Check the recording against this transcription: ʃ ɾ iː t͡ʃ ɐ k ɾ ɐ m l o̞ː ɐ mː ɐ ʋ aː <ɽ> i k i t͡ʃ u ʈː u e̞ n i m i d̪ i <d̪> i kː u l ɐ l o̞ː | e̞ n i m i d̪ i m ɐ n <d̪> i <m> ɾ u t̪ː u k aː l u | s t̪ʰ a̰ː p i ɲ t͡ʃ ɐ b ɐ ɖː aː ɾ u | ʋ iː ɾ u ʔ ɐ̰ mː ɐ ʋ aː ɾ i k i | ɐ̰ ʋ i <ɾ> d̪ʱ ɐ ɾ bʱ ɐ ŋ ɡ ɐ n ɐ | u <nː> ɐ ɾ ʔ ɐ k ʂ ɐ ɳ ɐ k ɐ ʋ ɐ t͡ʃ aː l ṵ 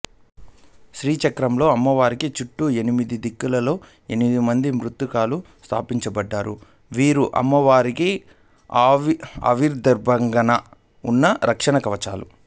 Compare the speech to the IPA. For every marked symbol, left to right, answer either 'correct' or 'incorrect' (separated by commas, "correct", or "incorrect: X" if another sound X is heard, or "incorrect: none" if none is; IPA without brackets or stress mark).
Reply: incorrect: ɾ, correct, correct, correct, correct, correct